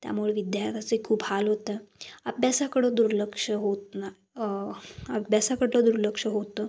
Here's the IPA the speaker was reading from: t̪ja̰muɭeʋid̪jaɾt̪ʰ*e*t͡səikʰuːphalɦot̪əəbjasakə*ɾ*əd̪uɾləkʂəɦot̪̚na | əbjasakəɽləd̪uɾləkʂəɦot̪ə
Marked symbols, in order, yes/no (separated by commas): no, no